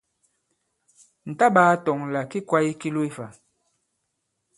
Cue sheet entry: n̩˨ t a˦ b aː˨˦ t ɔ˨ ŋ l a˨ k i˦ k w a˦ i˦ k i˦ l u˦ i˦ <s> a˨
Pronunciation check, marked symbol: incorrect: f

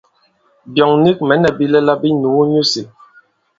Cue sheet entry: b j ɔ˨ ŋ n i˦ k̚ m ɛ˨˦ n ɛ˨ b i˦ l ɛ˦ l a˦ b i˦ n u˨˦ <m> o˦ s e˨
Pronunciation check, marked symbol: incorrect: ɲ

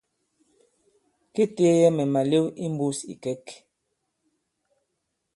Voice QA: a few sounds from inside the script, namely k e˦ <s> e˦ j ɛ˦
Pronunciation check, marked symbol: incorrect: t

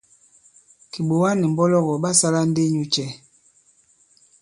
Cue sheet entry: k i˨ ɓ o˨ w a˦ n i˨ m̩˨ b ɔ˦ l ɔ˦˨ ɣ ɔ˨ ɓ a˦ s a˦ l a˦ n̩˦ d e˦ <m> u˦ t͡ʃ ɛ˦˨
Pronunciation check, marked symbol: incorrect: ɲ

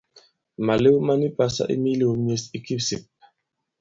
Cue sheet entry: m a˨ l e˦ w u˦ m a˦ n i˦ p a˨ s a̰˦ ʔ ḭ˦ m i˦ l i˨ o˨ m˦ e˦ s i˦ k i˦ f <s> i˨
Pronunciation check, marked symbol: correct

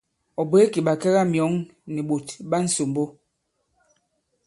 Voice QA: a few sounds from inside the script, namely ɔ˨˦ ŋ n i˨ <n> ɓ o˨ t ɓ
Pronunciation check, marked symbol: incorrect: none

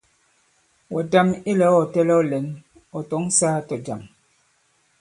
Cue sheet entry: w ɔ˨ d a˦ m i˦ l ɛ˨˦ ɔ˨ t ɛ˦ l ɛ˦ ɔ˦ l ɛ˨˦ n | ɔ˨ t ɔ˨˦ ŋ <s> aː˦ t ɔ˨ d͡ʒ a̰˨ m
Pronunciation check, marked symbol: correct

